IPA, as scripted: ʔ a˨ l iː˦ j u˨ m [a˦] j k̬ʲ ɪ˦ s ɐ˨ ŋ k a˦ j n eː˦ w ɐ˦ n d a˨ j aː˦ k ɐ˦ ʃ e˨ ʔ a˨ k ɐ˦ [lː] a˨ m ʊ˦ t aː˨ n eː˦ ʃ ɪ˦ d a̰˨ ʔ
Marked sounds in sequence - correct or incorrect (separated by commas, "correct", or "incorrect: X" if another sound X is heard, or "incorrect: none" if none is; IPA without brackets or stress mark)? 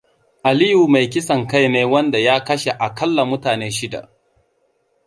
incorrect: a˨, correct